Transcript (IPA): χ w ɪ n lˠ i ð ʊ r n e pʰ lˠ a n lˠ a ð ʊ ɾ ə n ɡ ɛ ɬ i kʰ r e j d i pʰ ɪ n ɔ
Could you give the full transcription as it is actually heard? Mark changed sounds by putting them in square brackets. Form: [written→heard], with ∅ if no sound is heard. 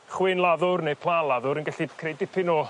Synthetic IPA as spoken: χ w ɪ n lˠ [i→a] ð ʊ r n e pʰ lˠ a n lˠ a ð ʊ ɾ ə n ɡ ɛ ɬ i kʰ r e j d [i→ɪ] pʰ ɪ n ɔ